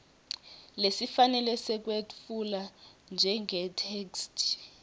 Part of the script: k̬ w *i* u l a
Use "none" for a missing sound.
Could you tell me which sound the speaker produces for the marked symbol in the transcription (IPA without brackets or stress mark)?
e